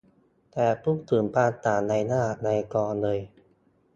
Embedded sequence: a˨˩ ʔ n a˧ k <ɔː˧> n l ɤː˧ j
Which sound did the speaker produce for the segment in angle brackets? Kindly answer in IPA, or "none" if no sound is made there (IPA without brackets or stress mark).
ɔː˧